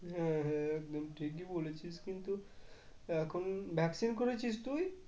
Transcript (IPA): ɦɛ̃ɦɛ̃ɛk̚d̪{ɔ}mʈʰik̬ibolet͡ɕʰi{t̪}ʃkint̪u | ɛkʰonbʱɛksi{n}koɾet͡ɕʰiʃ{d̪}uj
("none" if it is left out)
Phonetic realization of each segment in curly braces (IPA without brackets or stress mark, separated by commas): o, none, n, t̪